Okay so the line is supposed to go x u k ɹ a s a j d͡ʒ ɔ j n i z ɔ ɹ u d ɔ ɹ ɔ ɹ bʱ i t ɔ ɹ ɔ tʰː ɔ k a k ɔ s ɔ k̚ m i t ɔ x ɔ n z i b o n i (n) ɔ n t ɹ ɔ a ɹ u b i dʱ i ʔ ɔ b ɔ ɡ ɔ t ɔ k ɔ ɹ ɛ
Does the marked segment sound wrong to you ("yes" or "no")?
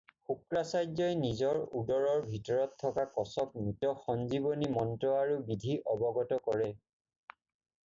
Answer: yes